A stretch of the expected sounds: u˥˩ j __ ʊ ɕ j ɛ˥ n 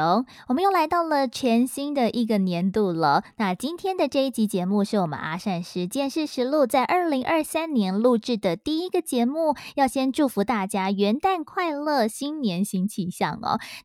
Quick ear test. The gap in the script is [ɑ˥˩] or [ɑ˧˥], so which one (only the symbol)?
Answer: ɑ˥˩